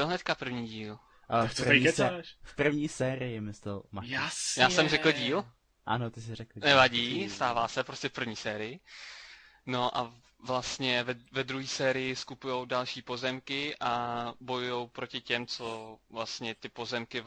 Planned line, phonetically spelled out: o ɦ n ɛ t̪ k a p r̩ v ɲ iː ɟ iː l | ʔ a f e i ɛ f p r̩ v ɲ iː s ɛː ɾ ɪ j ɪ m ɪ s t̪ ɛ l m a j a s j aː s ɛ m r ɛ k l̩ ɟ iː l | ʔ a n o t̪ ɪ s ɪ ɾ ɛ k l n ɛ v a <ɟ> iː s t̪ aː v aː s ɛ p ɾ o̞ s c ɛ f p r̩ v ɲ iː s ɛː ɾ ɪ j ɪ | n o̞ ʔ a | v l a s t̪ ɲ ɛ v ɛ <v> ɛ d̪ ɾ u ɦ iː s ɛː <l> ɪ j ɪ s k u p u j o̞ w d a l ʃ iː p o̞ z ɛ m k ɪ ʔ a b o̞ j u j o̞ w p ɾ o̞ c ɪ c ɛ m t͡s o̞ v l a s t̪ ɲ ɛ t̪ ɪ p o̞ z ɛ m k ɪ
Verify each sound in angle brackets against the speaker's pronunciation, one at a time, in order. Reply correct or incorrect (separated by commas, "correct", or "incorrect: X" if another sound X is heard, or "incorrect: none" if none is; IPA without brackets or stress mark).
correct, correct, incorrect: ɾ